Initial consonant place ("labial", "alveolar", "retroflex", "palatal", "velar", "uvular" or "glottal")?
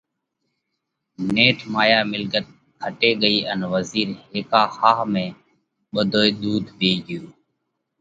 alveolar